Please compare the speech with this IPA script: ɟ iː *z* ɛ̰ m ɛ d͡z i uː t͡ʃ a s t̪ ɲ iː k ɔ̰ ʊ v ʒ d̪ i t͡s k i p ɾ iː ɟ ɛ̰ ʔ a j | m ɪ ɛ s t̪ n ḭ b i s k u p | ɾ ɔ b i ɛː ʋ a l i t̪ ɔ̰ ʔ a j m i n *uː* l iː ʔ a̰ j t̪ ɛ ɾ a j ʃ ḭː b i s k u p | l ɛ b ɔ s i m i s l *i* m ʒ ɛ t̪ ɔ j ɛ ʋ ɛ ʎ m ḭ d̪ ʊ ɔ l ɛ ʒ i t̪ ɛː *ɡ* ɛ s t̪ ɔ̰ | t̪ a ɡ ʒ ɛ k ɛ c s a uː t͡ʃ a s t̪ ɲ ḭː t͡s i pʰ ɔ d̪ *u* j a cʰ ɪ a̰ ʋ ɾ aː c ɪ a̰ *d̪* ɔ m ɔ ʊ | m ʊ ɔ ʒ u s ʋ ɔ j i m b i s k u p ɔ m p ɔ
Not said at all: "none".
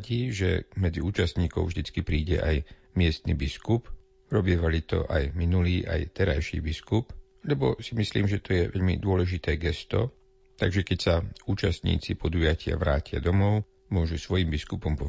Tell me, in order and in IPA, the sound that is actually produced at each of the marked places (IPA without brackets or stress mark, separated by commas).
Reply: ʒ, u, iː, ɡ, u, d̪